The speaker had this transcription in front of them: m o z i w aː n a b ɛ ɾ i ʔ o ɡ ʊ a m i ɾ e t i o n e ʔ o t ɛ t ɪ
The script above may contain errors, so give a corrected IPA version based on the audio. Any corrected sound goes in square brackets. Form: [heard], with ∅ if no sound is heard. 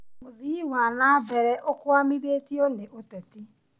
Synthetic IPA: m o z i w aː n a b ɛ ɾ [ɛ] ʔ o [k] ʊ a m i ɾ e t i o n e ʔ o t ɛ t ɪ